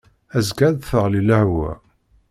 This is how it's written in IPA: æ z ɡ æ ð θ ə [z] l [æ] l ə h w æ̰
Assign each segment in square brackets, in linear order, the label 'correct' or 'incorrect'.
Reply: incorrect, incorrect

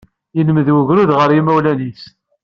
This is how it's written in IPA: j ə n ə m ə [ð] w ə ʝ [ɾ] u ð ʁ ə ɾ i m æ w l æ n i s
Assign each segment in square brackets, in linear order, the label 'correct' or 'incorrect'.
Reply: correct, correct

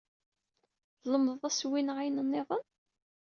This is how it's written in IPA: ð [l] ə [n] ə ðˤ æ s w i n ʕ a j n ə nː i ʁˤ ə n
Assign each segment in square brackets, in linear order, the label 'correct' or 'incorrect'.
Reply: correct, incorrect

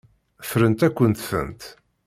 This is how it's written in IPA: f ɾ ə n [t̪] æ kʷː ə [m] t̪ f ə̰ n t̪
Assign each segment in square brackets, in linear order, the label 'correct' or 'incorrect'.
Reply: correct, incorrect

